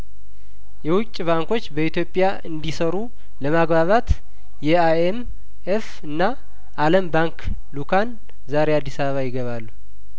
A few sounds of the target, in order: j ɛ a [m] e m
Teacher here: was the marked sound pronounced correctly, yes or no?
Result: no